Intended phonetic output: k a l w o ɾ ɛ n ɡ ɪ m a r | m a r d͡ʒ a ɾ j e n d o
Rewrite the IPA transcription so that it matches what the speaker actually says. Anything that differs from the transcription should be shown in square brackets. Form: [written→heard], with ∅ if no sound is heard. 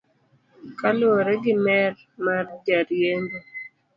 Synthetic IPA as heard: k a l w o ɾ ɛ [n→∅] ɡ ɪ m [a→ɛ] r | m a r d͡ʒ a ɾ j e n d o